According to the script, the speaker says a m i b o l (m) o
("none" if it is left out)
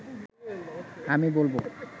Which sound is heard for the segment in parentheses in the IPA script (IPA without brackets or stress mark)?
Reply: b